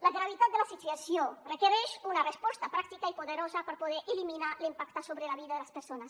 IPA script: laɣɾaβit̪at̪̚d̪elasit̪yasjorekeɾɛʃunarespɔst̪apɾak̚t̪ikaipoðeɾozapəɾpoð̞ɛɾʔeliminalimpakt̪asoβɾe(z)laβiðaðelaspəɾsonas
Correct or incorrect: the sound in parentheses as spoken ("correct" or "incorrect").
incorrect